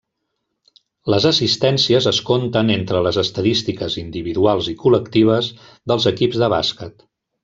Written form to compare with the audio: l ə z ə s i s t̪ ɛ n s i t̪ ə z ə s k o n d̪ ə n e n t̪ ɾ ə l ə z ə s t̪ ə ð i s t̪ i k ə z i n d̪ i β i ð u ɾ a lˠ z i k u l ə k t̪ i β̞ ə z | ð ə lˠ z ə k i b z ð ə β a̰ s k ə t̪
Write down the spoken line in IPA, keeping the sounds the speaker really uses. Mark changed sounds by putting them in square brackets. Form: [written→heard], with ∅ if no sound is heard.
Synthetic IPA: l ə z ə s i s t̪ ɛ n s i [t̪→∅] ə z ə s k o n [d̪→t̪] ə n e n t̪ ɾ ə l ə z ə s t̪ ə ð i s t̪ i k ə z i n d̪ i β i ð u [ɾ→∅] a lˠ z i k u l ə k t̪ i β̞ ə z | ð ə lˠ z ə k i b z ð ə β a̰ s k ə t̪